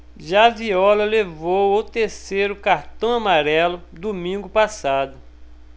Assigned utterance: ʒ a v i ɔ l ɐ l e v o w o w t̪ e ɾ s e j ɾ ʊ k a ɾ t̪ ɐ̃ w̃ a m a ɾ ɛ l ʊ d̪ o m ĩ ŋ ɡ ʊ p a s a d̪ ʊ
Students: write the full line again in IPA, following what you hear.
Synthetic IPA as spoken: ʒ a v i ɔ l ɐ l e v o w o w t̪ e ɾ s e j ɾ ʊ k a ɾ t̪ ɐ̃ w̃ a m a ɾ ɛ l ʊ d̪ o m ĩ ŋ ɡ ʊ p a s a d̪ ʊ